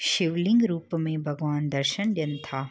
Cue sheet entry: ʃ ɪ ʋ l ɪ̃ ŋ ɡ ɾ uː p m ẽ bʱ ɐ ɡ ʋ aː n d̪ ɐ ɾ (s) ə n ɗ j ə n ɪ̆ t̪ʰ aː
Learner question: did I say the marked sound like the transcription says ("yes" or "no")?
no